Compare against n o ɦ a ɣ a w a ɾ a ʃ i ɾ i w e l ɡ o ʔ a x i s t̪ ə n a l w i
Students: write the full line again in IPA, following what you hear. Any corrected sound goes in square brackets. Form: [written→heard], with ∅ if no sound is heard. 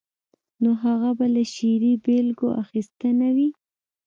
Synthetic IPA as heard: n o ɦ a ɣ a [w→b] a [ɾ→l] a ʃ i ɾ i [w→b] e l ɡ o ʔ a x i s t̪ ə n a [l→∅] w i

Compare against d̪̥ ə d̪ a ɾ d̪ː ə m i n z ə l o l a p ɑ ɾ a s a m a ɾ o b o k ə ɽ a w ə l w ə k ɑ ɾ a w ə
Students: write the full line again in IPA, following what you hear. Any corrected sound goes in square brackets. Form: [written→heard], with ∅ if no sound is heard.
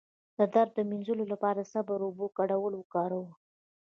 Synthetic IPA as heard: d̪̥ ə d̪ a ɾ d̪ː ə m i n z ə l o l a p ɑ ɾ a s a [m→b] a ɾ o b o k [ə→a] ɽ a w ə l w ə k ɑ ɾ a w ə

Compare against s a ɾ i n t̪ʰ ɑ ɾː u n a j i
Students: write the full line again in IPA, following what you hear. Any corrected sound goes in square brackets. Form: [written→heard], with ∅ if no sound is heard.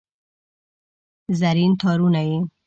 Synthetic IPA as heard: [s→z] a ɾ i n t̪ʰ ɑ [ɾː→ɾ] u n a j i

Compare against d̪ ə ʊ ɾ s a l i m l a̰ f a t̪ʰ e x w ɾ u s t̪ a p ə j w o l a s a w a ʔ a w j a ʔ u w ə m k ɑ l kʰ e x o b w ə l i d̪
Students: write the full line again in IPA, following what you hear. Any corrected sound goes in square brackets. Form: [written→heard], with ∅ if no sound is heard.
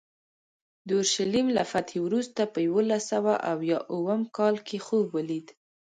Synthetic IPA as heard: d̪ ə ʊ ɾ [s→ʃ] a l i m l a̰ f a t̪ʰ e [x→∅] w ɾ u s t̪ a p ə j w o l a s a w a ʔ a w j [a→ɑ] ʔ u w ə m k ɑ l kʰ e x o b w ə l i d̪

